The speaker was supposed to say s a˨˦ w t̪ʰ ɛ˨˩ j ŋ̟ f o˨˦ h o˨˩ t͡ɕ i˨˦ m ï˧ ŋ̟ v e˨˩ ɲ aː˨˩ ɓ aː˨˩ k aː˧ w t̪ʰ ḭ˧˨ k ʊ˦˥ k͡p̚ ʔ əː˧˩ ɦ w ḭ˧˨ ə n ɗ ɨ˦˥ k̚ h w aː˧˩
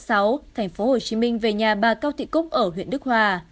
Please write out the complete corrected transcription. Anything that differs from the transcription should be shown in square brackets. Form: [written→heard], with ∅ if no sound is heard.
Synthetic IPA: s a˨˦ w t̪ʰ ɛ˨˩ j ŋ̟ f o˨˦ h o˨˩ t͡ɕ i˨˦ m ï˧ ŋ̟ v e˨˩ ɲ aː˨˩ ɓ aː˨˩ k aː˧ w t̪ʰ ḭ˧˨ k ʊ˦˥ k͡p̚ ʔ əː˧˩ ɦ w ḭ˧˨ ə n ɗ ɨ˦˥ k̚ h w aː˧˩